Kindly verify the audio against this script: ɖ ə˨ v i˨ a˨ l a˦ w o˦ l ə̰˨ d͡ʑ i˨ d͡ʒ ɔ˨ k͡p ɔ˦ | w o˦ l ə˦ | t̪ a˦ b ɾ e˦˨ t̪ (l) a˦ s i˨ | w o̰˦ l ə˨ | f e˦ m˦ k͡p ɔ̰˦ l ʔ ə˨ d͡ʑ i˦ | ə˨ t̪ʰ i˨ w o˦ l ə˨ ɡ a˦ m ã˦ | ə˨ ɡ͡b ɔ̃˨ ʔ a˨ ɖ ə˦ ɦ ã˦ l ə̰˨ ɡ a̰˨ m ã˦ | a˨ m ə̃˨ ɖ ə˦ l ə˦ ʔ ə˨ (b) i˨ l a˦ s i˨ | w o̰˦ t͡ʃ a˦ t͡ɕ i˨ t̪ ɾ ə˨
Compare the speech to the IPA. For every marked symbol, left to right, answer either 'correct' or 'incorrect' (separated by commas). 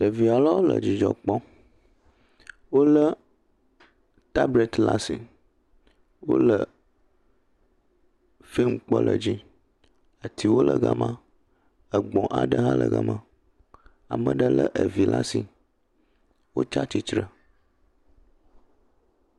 correct, incorrect